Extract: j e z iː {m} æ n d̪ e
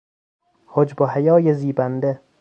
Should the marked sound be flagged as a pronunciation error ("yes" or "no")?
yes